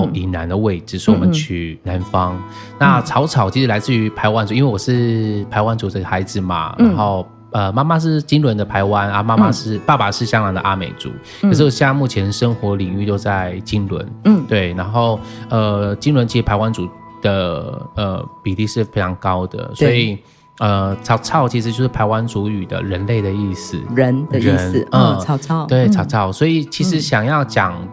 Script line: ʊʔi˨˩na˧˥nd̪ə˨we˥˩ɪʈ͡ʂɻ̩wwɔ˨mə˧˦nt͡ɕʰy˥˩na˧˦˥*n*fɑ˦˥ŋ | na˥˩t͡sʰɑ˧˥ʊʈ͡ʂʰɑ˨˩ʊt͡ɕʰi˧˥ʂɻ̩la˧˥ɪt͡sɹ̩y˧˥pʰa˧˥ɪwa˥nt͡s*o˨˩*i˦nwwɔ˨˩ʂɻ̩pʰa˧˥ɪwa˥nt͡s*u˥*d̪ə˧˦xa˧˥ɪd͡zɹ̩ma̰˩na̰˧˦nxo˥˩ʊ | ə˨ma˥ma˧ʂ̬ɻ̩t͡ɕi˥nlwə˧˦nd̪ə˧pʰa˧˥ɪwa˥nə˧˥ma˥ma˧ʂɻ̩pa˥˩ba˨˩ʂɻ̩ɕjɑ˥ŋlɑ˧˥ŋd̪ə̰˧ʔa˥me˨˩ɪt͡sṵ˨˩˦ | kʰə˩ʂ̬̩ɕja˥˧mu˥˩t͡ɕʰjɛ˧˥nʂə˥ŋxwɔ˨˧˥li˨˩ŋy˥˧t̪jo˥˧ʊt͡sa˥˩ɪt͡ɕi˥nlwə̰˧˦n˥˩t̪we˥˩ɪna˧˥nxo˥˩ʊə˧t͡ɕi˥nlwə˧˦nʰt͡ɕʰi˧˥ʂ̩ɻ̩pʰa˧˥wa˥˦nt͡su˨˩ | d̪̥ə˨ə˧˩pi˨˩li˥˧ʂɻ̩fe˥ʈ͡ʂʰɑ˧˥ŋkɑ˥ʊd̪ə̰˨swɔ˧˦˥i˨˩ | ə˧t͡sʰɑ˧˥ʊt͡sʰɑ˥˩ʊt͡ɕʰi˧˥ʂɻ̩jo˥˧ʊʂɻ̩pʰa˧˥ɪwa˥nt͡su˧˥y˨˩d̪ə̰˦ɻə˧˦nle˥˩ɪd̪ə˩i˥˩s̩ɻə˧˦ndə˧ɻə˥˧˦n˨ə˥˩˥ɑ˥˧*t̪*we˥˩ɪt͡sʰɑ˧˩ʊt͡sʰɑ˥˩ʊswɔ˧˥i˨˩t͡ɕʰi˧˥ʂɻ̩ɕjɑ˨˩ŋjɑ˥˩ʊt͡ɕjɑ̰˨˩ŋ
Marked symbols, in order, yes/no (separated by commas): yes, no, no, yes